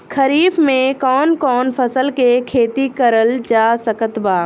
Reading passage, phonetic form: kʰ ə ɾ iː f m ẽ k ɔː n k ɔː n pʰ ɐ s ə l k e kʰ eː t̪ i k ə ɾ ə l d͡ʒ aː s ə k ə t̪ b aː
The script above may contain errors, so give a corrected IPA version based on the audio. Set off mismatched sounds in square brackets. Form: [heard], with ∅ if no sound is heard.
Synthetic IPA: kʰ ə ɾ iː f m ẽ k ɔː n k ɔː n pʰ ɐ s ə l k e kʰ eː t̪ i k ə ɾ ə l d͡ʒ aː s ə k ə t̪ b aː